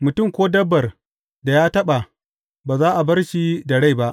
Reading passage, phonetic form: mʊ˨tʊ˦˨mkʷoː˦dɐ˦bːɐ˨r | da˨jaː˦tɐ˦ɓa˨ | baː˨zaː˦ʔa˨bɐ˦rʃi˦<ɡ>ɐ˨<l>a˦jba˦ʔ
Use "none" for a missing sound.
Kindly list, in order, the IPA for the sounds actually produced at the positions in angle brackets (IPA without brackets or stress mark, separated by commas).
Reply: d, ɽ